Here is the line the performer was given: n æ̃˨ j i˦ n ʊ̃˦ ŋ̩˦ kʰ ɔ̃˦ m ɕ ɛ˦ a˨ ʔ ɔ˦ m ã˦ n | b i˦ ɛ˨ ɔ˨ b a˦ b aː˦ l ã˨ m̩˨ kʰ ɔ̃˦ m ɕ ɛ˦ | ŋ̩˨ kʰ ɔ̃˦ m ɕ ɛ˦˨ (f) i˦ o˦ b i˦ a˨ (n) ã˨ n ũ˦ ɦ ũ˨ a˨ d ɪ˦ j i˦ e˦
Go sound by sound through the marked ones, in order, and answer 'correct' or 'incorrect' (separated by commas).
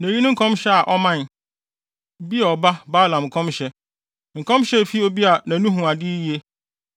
correct, correct